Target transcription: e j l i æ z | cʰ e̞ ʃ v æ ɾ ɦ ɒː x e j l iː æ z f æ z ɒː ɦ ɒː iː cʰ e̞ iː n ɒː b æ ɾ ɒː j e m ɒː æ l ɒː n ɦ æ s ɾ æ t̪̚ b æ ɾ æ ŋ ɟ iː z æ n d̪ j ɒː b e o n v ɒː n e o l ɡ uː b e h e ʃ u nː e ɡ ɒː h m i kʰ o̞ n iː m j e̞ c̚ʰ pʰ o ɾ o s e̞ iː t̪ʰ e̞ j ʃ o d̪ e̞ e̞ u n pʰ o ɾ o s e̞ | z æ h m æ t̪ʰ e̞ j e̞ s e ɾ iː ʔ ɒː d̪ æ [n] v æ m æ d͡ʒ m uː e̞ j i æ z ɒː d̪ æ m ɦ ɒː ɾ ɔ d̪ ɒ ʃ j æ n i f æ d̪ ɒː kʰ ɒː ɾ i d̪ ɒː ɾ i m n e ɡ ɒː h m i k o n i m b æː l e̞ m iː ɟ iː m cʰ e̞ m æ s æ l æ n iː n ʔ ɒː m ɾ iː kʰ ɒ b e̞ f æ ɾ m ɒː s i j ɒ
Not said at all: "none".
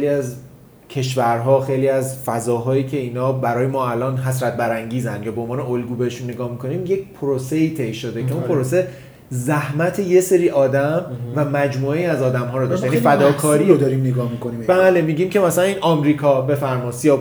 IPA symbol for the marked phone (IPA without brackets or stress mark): m